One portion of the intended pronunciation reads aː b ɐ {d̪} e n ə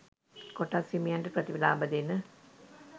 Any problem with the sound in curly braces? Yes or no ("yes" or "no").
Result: no